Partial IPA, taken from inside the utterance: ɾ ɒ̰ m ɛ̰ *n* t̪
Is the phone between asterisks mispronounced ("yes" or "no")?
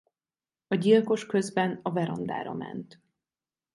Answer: no